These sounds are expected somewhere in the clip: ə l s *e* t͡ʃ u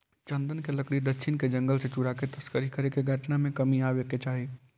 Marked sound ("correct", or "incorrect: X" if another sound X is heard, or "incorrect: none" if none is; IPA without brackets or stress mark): correct